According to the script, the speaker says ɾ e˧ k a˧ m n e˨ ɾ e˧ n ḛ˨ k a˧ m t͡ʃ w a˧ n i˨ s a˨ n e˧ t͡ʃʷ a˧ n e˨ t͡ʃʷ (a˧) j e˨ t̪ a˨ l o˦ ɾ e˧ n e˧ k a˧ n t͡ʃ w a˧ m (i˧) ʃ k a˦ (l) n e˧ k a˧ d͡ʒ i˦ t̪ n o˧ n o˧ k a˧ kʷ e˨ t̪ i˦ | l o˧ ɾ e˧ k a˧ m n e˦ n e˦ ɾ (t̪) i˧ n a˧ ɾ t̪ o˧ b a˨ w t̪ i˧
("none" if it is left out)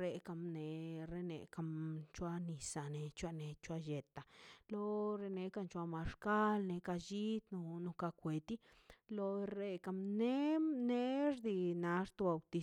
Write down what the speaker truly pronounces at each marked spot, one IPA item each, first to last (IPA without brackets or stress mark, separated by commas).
a˧, a˧, l, d̪